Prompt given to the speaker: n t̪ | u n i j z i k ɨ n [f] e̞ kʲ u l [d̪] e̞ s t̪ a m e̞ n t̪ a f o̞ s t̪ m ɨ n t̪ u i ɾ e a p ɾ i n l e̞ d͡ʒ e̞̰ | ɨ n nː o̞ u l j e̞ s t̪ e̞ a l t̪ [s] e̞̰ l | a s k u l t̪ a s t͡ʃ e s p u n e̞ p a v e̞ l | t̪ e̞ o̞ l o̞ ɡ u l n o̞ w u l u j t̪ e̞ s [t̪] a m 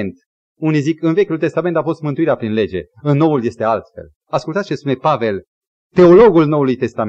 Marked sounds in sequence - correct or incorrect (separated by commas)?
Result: incorrect, incorrect, incorrect, correct